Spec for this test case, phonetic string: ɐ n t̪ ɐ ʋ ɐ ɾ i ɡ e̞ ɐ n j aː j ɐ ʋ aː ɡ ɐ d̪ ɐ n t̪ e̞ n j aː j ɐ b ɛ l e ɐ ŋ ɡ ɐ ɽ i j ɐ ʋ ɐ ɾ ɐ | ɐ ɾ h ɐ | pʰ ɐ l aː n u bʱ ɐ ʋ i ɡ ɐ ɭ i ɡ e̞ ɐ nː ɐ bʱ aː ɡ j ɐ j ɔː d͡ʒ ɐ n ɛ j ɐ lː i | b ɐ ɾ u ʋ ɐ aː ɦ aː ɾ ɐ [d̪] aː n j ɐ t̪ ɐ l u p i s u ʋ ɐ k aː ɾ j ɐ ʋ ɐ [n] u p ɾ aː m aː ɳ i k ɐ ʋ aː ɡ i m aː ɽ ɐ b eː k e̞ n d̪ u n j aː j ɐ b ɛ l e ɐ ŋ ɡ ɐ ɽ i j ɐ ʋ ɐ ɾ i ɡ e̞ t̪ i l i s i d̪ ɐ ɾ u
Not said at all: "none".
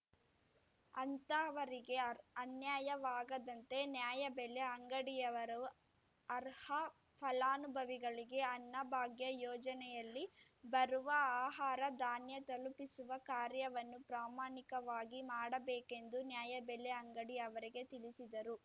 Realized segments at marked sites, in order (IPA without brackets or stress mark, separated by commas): d̪, nː